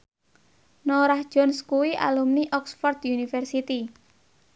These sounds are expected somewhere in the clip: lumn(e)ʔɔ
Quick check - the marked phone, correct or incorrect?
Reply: incorrect